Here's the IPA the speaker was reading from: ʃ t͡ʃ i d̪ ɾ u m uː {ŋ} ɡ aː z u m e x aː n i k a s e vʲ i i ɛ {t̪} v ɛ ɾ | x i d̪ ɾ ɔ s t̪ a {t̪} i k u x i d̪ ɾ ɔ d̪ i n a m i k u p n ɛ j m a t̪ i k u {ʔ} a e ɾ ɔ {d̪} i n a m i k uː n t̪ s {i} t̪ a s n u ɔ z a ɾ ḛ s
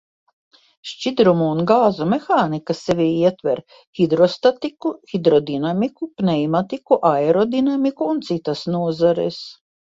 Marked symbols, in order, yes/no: no, yes, yes, yes, yes, yes

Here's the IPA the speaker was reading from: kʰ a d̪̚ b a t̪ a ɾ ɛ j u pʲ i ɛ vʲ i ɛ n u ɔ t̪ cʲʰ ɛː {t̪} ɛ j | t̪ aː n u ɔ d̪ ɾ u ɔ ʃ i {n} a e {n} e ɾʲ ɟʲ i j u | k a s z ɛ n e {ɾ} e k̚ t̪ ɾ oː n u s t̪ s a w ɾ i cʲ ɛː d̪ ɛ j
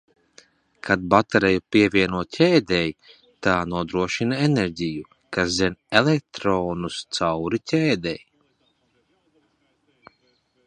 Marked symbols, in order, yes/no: no, yes, yes, no

